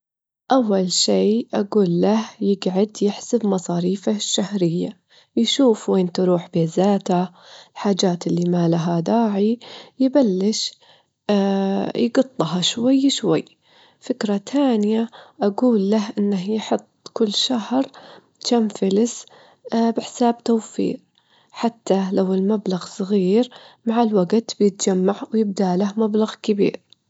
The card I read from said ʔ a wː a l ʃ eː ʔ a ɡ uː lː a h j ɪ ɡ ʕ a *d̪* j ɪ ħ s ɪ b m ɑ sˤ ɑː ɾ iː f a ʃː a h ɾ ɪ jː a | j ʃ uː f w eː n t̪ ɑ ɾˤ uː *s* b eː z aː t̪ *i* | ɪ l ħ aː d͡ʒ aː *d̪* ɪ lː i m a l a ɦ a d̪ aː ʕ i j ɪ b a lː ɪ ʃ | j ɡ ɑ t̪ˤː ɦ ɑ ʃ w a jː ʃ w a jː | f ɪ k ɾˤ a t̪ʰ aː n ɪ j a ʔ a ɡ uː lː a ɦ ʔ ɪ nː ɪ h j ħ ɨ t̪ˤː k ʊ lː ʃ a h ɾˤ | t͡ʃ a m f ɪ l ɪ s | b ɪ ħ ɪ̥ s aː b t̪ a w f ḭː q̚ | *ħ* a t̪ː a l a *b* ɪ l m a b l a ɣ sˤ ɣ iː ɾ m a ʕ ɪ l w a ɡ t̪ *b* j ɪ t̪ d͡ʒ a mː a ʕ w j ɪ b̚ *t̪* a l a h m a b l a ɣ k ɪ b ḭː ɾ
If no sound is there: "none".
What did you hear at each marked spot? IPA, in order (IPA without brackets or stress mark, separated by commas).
d̪, ħ, a, t̪, ħ, w, b, d̪